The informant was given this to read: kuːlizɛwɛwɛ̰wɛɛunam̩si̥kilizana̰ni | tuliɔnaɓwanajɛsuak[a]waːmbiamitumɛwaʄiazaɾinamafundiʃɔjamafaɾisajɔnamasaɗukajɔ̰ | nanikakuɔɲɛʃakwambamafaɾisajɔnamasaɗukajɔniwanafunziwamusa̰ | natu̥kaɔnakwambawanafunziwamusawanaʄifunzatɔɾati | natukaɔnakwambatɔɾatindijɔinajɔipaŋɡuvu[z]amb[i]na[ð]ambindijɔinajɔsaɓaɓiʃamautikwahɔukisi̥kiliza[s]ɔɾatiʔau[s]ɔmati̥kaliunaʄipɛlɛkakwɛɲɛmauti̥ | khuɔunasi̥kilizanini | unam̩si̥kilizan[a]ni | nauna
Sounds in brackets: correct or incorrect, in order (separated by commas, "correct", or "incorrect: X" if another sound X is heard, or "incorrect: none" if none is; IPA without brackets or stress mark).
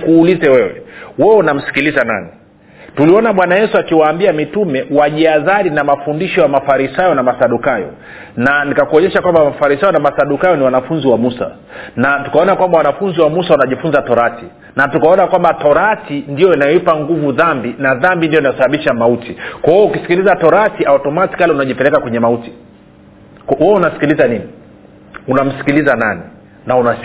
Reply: incorrect: i, incorrect: ð, correct, correct, incorrect: t, incorrect: t, correct